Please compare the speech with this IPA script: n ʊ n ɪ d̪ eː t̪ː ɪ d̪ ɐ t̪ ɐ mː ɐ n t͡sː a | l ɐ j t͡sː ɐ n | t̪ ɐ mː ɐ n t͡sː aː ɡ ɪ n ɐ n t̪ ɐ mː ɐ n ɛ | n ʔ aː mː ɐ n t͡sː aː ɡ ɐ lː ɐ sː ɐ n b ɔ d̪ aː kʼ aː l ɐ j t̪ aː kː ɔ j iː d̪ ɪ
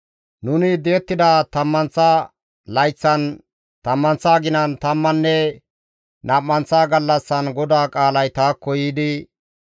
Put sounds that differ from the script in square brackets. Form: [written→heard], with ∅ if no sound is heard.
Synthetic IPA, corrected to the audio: n ʊ n ɪ d̪ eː t̪ː ɪ d̪ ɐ t̪ ɐ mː ɐ n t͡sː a | l ɐ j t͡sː ɐ n | t̪ ɐ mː ɐ n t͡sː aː ɡ ɪ n ɐ n t̪ ɐ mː ɐ [n→nː] ɛ | n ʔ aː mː ɐ n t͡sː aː ɡ ɐ lː ɐ sː ɐ n [b→ɡ] ɔ d̪ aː kʼ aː l ɐ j t̪ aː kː ɔ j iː d̪ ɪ